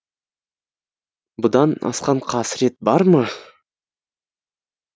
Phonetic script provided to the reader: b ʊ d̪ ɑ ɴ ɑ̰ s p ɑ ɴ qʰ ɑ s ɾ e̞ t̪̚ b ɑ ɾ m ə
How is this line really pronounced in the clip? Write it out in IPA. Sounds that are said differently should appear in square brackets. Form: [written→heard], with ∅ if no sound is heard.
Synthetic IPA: b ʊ d̪ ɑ [ɴ→n] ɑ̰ s [p→q] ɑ ɴ qʰ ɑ s ɾ e̞ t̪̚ b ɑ ɾ m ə